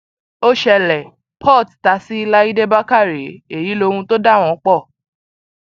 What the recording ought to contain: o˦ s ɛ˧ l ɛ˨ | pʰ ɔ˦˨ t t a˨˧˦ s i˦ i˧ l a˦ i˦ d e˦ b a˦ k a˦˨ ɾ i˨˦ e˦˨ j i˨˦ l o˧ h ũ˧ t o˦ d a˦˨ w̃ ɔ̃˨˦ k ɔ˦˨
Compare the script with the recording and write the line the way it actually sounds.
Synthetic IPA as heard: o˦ ʃ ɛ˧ l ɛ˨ | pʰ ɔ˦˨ t t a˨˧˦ s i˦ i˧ l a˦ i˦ d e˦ b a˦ k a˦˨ ɾ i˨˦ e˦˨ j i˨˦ l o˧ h ũ˧ t o˦ d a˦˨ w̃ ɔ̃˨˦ k͡p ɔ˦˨